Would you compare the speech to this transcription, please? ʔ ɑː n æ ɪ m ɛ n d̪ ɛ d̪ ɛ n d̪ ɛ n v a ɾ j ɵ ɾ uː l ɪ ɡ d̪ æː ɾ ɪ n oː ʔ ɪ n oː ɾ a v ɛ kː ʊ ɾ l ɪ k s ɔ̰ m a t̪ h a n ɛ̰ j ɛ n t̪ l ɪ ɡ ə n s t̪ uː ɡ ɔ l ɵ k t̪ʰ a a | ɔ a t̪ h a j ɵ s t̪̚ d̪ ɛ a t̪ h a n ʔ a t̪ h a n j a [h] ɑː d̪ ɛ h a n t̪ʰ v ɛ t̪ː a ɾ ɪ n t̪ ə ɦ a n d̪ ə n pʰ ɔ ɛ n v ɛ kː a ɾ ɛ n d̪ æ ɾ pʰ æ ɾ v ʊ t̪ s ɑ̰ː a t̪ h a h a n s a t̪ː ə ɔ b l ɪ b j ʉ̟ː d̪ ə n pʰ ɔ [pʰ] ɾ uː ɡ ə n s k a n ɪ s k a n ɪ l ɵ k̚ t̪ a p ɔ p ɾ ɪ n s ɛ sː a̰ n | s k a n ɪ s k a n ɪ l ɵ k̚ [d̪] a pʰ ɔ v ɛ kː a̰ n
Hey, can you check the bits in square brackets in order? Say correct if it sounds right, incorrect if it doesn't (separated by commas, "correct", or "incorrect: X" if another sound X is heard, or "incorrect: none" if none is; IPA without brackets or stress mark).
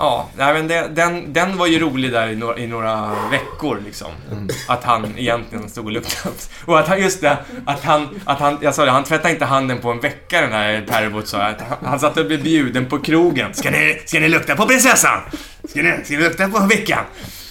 incorrect: s, incorrect: kʰ, incorrect: t̪